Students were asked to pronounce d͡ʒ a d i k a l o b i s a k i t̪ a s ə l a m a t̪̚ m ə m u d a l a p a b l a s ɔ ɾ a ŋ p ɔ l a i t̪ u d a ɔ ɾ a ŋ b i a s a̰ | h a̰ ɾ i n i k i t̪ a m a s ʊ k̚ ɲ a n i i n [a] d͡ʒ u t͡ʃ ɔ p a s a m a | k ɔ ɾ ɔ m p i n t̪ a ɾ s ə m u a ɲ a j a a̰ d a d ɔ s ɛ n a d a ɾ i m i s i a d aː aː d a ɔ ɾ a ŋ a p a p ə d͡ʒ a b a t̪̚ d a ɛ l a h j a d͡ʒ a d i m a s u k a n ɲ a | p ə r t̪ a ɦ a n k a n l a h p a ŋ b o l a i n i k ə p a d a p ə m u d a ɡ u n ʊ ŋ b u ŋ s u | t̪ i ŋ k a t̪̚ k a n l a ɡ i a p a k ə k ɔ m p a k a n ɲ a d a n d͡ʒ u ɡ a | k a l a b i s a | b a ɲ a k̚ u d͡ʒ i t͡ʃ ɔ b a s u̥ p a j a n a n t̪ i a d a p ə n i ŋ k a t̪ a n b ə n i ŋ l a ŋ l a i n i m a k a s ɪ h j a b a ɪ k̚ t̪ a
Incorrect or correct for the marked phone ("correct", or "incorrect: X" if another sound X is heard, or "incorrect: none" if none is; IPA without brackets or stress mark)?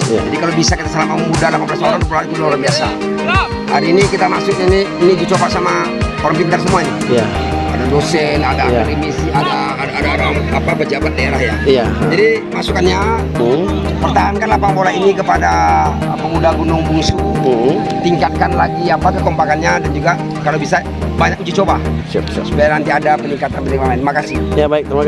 incorrect: i